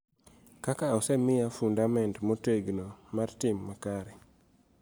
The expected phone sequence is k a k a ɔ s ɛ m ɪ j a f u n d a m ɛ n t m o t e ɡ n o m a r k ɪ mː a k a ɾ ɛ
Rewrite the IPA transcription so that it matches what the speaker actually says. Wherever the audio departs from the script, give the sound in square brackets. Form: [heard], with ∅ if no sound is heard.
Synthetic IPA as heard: k a k a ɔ s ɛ m ɪ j a f u n d a m ɛ n t m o t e ɡ n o m a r [t] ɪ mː a k a ɾ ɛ